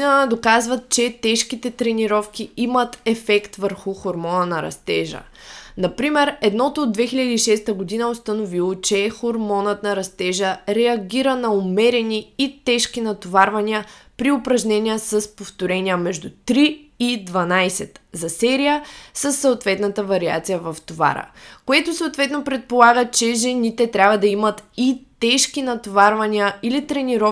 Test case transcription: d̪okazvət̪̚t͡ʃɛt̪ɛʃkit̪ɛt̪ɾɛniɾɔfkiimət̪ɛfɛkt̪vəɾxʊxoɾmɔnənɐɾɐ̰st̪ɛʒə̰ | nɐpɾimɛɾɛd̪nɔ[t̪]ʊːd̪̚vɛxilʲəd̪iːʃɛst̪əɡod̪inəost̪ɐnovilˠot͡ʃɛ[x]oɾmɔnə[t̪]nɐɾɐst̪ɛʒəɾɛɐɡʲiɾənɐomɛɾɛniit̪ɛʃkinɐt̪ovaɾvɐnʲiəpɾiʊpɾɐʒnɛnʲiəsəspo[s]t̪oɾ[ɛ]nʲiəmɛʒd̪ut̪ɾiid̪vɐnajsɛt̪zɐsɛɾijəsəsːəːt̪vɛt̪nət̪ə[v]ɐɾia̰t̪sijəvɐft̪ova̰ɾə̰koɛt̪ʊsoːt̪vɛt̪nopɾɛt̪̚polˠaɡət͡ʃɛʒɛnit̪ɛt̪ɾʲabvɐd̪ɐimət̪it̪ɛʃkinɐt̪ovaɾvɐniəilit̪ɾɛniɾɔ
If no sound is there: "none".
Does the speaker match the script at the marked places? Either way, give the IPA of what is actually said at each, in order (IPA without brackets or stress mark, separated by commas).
t̪, x, t̪, f, ɛ, v